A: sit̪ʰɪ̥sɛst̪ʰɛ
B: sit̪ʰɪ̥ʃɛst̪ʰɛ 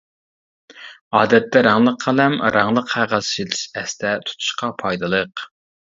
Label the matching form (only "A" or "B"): B